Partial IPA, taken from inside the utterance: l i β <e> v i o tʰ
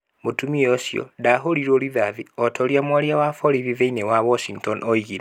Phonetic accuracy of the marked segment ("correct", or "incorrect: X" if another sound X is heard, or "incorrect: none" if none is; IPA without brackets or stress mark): incorrect: a